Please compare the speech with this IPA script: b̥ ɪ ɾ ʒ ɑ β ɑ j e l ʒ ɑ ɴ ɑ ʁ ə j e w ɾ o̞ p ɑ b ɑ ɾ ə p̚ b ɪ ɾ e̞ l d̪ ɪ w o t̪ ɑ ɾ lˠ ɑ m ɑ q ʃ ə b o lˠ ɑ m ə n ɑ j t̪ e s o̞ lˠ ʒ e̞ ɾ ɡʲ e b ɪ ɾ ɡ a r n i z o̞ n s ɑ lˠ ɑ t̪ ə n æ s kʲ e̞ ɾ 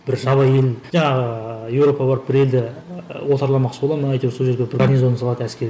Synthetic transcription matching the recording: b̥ ɪ ɾ ʒ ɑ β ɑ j e l ʒ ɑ ɴ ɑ ʁ ə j e w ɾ o̞ p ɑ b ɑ ɾ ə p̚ b ɪ ɾ e̞ l d̪ ɪ w o t̪ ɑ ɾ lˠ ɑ m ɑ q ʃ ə b o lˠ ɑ m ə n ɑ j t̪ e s o̞ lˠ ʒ e̞ ɾ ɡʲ e b ɪ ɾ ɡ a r n i z o̞ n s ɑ lˠ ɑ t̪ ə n æ s kʲ e̞ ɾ